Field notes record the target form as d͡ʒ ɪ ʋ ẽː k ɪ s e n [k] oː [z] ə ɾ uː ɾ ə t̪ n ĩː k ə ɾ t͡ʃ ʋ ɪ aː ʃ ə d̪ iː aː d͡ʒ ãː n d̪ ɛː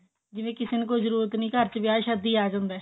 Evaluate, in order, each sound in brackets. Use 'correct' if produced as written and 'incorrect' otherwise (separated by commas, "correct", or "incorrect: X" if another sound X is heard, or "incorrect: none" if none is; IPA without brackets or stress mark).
correct, correct